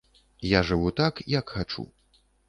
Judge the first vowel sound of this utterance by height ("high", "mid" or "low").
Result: low